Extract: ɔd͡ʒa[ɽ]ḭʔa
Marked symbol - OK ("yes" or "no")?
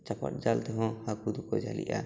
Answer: no